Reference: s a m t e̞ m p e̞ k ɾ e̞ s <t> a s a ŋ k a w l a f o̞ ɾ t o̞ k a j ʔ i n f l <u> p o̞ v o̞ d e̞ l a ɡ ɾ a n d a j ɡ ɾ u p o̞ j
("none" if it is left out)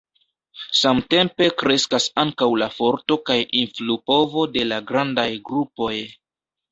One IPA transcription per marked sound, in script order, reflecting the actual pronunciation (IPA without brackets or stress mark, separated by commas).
k, u